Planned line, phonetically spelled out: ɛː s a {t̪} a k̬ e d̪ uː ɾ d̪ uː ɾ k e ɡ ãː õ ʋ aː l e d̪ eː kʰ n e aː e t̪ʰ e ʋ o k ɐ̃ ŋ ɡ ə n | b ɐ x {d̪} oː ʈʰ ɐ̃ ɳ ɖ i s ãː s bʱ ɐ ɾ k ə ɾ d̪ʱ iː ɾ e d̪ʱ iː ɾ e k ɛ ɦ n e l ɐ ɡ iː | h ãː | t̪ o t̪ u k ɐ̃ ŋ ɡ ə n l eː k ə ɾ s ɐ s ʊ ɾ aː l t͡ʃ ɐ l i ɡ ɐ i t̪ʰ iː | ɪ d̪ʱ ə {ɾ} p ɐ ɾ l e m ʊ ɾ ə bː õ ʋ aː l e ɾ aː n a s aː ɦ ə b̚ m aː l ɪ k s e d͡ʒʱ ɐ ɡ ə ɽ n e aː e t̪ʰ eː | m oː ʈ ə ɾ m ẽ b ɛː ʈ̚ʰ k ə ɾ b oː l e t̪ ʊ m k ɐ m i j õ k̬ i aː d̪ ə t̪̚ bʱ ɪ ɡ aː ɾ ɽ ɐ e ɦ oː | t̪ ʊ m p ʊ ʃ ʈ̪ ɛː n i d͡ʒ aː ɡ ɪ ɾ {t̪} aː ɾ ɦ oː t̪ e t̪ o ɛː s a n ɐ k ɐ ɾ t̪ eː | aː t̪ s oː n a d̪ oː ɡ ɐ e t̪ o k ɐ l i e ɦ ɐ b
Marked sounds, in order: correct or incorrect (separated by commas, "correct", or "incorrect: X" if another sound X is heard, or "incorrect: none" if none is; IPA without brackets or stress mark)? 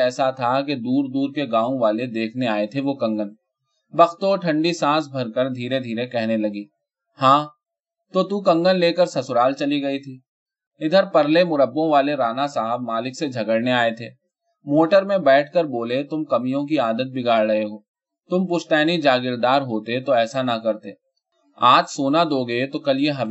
incorrect: t̪ʰ, incorrect: t̪, correct, incorrect: d̪